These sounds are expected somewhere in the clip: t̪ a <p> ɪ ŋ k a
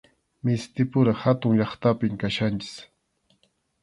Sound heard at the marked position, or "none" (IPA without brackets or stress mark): p